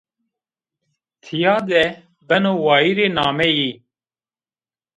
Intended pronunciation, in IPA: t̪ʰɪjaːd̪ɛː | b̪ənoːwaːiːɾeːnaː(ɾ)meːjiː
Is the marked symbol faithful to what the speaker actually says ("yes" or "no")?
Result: no